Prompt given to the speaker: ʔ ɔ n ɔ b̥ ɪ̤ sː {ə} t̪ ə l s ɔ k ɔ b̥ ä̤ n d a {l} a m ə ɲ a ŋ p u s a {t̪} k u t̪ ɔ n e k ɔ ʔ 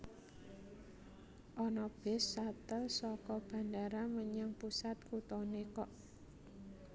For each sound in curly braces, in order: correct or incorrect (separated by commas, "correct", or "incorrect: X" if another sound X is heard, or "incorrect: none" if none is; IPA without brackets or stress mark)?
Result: incorrect: a, incorrect: ɾ, correct